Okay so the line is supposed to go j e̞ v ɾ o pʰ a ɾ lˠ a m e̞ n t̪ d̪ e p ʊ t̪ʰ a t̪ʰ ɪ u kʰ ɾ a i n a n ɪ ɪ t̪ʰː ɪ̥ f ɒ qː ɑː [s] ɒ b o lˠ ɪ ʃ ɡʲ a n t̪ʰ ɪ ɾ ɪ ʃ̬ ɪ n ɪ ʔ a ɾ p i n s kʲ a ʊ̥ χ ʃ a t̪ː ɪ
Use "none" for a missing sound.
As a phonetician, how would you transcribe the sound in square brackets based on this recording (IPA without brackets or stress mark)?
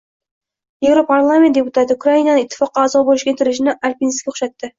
z